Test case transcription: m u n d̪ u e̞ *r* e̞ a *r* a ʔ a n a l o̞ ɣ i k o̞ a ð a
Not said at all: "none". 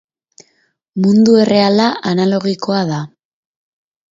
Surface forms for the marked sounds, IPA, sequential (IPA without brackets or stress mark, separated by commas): r, l